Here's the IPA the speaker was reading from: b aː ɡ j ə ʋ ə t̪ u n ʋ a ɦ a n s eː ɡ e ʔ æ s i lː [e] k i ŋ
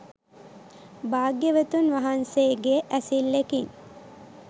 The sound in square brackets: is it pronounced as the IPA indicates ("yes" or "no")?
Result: yes